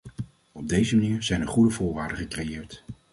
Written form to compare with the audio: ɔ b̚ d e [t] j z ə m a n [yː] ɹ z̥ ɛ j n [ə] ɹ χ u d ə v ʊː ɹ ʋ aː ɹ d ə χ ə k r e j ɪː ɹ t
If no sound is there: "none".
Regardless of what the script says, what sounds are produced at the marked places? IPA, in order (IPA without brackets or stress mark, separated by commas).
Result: none, iː, ə